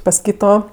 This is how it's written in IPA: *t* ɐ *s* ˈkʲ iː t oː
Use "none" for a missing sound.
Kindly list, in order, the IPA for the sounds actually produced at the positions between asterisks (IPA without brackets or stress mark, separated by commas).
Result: p, s